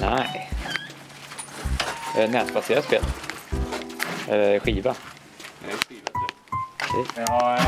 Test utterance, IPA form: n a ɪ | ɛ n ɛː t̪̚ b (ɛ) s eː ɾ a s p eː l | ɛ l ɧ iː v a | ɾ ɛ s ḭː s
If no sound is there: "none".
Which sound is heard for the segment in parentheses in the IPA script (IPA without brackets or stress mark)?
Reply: a